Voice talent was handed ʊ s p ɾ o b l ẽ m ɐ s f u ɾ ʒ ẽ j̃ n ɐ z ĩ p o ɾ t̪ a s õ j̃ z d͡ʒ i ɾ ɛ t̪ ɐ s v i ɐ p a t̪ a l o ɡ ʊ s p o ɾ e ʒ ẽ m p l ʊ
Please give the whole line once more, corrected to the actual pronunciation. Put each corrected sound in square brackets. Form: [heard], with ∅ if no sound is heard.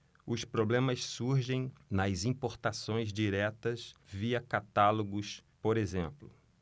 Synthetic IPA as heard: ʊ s p ɾ o b l ẽ m ɐ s [s] u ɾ ʒ ẽ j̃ n ɐ z ĩ p o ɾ t̪ a s õ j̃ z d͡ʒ i ɾ ɛ t̪ ɐ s v i ɐ [k] a t̪ a l o ɡ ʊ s p o ɾ e [z] ẽ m p l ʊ